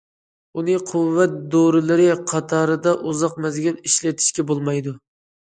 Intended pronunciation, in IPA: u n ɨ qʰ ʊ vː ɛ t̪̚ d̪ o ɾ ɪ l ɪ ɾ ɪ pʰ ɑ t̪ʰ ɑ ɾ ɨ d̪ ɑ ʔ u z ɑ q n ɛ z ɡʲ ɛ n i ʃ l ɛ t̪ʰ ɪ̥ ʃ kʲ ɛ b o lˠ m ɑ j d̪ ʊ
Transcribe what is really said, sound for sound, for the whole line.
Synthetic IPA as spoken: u n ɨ qʰ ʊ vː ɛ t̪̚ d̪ o ɾ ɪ l ɪ ɾ ɪ qʰ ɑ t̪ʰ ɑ ɾ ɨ d̪ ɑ ʔ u z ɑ q m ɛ z ɡʲ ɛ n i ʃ l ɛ t̪ʰ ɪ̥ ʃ kʲ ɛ b o lˠ m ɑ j d̪ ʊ